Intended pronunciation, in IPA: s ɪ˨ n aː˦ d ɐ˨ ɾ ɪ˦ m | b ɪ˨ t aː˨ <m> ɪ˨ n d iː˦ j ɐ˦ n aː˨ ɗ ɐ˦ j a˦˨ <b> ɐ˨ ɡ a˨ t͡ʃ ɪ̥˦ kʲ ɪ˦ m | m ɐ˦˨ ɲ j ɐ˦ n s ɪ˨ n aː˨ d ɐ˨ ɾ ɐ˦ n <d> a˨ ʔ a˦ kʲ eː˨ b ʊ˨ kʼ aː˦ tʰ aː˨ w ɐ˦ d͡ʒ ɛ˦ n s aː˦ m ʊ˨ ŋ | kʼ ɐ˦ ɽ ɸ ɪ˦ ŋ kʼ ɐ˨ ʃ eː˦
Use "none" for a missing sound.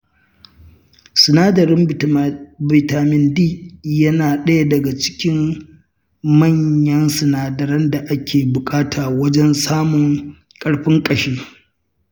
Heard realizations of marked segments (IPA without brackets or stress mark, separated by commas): m, d, d